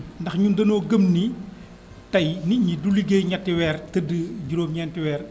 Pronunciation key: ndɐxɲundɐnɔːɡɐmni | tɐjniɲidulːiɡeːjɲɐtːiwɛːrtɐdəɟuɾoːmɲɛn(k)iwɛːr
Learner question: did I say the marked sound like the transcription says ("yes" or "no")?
no